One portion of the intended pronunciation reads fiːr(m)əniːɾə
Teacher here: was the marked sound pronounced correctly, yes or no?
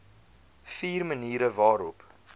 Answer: yes